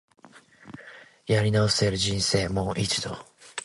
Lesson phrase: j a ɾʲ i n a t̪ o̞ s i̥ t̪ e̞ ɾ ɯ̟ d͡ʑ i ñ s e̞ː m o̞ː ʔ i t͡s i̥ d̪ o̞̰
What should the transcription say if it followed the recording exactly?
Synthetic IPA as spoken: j a ɾʲ i n a o̞ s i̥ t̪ e̞ ɾ ɯ̟ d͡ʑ ĩ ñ s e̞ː m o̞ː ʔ i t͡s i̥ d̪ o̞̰